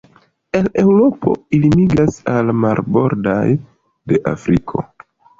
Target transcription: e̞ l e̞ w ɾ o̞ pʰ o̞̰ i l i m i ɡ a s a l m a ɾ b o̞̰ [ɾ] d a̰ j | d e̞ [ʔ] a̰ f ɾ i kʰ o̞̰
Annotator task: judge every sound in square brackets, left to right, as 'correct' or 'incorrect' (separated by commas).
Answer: correct, correct